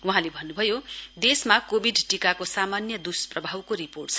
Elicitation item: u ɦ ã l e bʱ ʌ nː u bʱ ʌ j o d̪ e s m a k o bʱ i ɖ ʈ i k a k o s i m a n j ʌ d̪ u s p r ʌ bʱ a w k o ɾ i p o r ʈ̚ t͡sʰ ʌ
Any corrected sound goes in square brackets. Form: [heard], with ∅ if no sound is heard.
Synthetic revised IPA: u ɦ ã l e bʱ ʌ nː u bʱ ʌ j o d̪ e s m a k o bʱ i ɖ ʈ i k a k o s [a] m a n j ʌ d̪ u s p r ʌ bʱ a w k o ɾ i p o r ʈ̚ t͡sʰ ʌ